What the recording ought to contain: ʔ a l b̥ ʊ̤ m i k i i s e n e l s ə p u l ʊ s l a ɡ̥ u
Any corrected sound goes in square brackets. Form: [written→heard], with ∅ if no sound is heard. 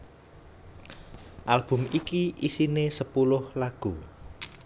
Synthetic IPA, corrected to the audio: ʔ a l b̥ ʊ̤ m i k i i s [e→i] n e [l→∅] s ə p u l ʊ [s→h] l a ɡ̥ u